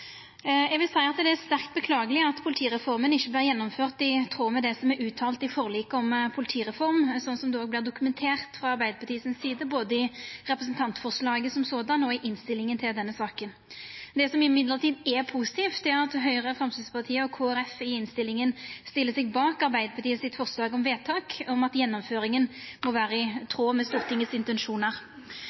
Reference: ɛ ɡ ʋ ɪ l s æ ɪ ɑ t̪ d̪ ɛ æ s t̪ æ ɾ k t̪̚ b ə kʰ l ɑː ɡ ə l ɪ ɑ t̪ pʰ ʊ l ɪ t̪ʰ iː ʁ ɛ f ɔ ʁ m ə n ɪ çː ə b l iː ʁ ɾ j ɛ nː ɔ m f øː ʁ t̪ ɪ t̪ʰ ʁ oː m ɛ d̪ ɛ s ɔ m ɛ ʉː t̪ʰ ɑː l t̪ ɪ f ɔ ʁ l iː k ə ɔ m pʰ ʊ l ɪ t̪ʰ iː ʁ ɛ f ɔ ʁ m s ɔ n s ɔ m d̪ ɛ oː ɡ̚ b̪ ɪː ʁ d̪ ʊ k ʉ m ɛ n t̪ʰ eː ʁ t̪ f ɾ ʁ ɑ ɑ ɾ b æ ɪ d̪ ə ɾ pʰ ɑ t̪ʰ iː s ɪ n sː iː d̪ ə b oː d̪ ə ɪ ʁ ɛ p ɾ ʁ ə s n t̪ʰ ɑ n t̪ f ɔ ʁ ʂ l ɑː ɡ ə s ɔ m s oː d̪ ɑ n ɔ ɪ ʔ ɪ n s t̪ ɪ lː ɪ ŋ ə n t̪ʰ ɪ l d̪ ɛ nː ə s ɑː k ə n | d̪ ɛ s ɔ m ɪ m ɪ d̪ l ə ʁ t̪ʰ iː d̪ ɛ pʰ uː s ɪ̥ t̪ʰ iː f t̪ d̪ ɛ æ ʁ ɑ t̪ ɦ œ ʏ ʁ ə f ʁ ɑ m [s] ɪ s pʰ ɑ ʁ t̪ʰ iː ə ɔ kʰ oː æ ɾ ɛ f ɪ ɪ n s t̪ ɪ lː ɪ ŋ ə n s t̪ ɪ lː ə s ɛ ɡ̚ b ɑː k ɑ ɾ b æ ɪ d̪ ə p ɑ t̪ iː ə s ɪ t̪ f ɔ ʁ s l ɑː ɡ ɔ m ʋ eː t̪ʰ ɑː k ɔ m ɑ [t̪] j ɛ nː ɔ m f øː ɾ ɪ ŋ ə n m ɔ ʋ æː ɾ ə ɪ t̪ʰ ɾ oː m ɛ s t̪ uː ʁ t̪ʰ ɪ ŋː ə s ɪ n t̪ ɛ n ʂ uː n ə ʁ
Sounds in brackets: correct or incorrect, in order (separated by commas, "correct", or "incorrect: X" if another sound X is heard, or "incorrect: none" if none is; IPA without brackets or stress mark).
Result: correct, correct